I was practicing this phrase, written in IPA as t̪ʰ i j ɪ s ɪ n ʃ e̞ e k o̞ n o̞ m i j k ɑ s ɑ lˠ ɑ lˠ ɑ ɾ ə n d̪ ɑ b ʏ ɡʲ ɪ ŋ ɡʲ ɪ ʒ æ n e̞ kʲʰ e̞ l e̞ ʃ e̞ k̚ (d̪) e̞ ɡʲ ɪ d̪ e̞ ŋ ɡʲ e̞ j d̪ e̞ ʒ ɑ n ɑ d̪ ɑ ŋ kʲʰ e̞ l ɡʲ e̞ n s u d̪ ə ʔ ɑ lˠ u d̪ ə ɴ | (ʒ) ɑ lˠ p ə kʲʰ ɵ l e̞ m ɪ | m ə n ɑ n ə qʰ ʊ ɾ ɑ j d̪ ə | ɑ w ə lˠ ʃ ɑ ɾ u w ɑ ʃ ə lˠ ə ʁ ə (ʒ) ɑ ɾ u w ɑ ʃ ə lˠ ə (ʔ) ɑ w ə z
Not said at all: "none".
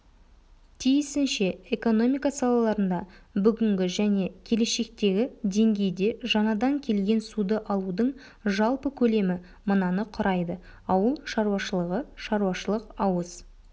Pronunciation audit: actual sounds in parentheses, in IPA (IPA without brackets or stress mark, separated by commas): t̪, ʒ, ʃ, q